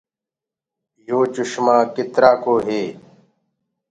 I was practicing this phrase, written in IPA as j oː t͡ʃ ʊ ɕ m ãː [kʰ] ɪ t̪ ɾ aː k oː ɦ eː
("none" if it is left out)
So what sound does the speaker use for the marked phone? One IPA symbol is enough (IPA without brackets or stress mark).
k